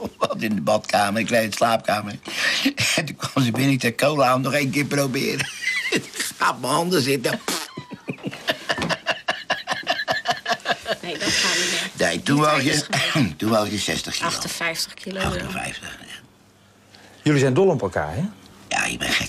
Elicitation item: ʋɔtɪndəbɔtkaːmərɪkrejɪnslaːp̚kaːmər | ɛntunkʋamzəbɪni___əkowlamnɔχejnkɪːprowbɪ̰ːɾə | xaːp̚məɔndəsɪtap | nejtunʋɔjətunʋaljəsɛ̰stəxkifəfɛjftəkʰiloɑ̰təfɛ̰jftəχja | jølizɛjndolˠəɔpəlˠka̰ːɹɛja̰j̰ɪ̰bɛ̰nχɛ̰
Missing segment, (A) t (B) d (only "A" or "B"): A